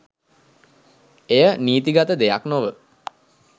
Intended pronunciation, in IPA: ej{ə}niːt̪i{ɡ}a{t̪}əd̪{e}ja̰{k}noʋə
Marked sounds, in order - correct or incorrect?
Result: correct, correct, correct, correct, correct

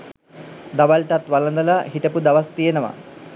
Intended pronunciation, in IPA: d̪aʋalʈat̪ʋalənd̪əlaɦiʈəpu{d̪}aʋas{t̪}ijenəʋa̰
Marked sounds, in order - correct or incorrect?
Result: correct, correct

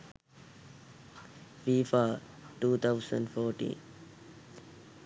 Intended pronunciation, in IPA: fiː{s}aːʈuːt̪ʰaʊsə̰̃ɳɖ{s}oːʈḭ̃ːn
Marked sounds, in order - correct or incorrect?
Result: incorrect, incorrect

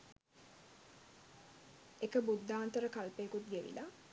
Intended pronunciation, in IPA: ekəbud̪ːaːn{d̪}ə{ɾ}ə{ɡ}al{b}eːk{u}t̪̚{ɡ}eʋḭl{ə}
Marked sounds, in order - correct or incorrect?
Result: incorrect, correct, incorrect, incorrect, correct, correct, incorrect

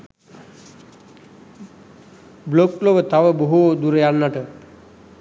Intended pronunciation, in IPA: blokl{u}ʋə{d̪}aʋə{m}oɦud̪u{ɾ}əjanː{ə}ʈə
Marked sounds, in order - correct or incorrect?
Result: incorrect, incorrect, incorrect, correct, incorrect

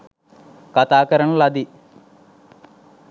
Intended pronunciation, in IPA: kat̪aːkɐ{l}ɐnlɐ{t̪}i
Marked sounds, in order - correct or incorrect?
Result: incorrect, incorrect

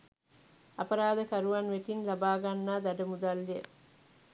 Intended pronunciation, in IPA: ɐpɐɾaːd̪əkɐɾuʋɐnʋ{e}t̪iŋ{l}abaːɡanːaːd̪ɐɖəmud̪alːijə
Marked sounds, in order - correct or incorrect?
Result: correct, correct

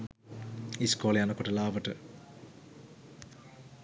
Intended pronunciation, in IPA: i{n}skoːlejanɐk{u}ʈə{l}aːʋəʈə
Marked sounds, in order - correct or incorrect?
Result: incorrect, incorrect, correct

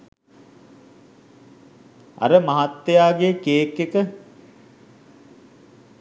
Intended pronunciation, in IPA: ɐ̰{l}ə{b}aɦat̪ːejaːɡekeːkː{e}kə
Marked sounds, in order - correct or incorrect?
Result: incorrect, incorrect, correct

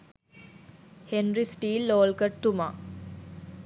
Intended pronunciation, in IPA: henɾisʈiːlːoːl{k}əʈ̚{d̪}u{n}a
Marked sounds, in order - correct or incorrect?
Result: correct, incorrect, incorrect

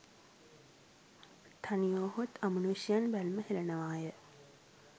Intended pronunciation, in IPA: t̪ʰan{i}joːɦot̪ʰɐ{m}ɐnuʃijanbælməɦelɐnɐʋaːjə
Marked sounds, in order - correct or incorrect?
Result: correct, correct

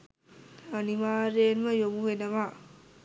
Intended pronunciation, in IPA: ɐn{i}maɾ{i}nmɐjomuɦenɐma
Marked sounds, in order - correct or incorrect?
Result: correct, incorrect

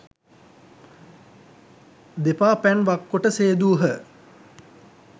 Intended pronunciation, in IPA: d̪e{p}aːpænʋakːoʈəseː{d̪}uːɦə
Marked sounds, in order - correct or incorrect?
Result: correct, correct

